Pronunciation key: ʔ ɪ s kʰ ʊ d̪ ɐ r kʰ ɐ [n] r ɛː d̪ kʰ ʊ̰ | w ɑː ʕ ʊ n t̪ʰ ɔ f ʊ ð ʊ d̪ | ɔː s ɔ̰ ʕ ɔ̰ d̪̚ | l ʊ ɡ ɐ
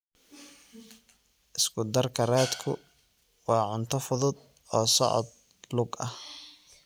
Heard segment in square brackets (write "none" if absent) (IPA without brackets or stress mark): none